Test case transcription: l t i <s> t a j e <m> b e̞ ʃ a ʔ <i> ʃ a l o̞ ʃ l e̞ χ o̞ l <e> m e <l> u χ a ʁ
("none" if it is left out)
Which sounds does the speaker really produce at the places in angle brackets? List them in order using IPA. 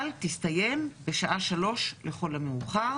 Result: s, m, a, a, none

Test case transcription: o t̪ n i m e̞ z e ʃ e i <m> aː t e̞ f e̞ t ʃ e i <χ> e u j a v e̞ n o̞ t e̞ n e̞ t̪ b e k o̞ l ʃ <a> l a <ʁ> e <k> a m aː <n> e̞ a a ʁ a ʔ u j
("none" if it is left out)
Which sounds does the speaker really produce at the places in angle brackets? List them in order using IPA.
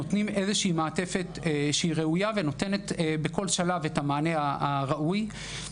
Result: m, ʁ, a, v, t, n

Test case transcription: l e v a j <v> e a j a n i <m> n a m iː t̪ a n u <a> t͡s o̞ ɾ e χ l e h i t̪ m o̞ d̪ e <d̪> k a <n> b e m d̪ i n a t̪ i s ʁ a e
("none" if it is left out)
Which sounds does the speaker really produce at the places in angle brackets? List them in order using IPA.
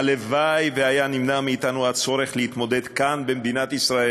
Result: v, m, a, d̪, n

